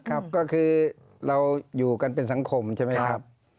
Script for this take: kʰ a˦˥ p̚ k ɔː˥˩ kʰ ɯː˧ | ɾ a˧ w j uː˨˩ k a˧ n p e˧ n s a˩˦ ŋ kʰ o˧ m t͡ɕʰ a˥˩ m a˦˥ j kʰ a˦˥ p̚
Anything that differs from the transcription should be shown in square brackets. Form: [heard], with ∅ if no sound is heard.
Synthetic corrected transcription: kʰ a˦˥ p̚ k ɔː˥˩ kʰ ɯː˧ | ɾ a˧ w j uː˨˩ k a˧ n p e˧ n s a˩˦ ŋ kʰ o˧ m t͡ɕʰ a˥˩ m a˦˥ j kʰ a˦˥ p̚